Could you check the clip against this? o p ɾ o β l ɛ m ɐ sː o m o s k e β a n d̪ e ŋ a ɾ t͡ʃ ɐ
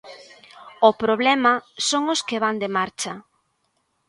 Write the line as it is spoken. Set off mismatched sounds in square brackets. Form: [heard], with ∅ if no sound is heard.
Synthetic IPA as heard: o p ɾ o β l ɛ m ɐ [s] o [ŋ] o s k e β a n d̪ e [m] a ɾ t͡ʃ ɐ